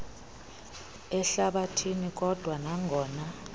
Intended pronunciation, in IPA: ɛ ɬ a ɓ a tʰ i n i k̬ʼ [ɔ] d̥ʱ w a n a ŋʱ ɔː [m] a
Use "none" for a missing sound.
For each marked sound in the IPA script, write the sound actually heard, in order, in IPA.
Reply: ɔ, n

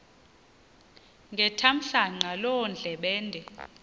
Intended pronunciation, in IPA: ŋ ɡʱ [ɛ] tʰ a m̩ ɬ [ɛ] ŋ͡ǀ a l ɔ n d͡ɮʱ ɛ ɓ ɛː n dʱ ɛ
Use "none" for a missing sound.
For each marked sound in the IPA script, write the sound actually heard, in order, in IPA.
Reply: ɛ, a

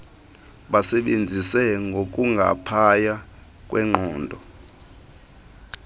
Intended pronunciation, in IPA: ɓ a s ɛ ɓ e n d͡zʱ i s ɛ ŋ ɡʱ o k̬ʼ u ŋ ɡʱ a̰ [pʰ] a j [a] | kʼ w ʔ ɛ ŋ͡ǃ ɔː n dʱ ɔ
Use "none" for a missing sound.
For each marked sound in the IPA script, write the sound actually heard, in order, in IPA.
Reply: pʰ, a

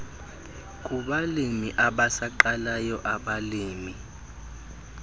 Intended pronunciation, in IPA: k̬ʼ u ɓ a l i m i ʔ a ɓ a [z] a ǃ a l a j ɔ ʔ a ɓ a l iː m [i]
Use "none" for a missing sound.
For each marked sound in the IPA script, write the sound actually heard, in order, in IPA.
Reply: s, i

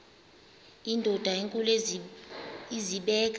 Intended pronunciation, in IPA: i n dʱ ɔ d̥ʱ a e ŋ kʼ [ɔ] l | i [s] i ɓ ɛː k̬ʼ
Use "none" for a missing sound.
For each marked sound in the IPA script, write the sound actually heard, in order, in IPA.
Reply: u, z

